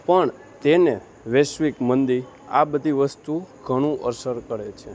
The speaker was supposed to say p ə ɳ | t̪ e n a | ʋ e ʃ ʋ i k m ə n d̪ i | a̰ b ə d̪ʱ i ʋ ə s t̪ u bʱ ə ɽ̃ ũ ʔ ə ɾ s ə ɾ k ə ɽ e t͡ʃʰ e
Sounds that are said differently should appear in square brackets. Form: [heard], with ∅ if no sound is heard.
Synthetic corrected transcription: p ə ɳ | t̪ e n [e] | ʋ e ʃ ʋ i k m ə n d̪ i | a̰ b ə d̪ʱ i ʋ ə s t̪ u [ɡʱ] ə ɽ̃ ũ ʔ ə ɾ s ə ɾ k ə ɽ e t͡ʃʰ e

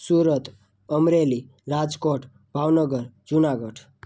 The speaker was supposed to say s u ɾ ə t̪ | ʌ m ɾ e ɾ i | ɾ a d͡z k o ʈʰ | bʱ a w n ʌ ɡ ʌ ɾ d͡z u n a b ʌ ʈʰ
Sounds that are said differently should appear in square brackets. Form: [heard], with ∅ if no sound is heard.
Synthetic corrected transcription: s u ɾ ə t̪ | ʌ m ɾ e [l] i | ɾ a d͡z k o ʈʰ | bʱ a w n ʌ ɡ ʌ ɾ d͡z u n a [ɡ] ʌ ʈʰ

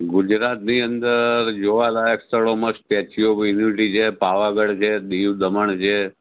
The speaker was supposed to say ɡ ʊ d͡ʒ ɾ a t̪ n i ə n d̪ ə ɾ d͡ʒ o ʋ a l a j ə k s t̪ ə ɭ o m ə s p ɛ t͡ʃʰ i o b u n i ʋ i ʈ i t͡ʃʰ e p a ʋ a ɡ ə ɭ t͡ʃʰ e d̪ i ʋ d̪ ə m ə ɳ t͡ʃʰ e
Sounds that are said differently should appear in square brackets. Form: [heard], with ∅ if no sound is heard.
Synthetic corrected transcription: ɡ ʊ d͡ʒ ɾ a t̪ n i ə n d̪ ə ɾ d͡ʒ o ʋ a l a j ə k s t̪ ə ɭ o m ə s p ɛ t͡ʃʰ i o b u n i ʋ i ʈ i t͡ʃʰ e p a ʋ a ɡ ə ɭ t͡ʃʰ e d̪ i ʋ d̪ ə m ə ɳ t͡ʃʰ e

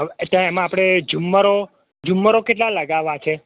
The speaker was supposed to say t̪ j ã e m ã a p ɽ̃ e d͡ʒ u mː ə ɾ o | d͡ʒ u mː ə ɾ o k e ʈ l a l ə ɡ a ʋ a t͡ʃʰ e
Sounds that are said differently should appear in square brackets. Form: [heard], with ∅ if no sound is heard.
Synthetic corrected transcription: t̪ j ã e m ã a p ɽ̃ e d͡ʒ u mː ə ɾ o | d͡ʒ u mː ə ɾ o k e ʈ l a l ə ɡ a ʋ a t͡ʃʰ e

